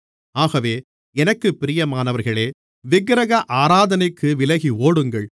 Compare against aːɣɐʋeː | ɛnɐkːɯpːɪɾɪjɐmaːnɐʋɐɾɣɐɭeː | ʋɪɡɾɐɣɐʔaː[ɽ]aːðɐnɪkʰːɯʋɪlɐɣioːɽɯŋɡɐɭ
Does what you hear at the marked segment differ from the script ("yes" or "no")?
yes